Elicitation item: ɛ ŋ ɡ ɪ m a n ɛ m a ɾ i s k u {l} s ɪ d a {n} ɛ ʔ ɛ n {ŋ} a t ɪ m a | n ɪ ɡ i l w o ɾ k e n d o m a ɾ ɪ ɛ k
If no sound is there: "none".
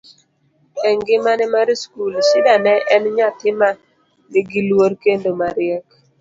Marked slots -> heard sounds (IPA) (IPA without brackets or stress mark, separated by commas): l, n, ɲ